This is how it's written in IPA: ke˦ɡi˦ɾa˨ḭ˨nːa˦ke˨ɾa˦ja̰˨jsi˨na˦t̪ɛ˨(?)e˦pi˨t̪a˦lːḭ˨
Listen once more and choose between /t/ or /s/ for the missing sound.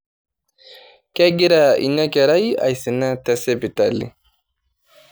s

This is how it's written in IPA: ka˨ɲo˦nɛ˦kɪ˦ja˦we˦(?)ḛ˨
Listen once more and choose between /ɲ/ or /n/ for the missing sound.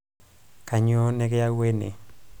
n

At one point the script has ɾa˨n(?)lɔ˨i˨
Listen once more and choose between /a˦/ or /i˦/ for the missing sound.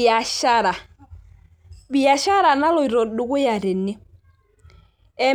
a˦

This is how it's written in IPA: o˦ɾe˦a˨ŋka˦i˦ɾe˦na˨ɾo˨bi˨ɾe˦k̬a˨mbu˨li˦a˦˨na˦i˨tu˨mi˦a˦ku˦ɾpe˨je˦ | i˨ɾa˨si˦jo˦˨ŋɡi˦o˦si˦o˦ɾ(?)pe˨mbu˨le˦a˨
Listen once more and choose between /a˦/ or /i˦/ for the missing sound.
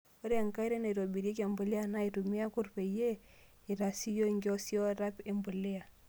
a˦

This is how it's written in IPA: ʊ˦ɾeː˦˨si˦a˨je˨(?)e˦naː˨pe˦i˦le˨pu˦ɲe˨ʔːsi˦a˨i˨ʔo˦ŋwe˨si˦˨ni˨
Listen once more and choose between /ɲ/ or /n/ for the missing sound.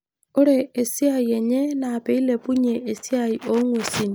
ɲ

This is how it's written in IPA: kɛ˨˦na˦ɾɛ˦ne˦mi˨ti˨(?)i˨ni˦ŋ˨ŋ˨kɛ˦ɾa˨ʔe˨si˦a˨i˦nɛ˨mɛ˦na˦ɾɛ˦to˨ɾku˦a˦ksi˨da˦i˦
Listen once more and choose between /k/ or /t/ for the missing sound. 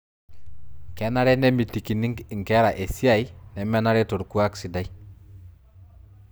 k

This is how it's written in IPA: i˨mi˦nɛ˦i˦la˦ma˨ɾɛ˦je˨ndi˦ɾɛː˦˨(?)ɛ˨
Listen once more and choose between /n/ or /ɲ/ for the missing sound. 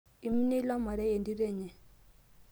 ɲ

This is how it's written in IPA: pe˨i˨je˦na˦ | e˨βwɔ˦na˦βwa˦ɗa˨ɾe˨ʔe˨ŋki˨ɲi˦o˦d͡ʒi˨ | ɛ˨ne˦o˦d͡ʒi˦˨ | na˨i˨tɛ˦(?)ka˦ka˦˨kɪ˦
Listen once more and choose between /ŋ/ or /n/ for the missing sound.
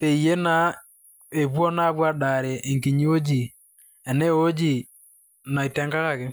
ŋ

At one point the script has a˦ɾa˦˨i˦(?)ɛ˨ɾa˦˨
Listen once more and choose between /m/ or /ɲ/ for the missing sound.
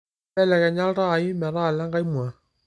m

